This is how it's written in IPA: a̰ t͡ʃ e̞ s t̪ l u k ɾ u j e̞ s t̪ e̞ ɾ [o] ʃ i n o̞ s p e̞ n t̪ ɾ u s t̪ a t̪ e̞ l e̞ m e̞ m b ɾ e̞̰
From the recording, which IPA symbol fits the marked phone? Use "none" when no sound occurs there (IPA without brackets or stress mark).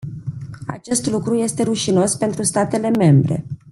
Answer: u